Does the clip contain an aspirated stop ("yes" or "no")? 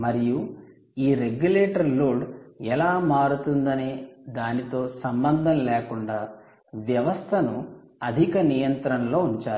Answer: yes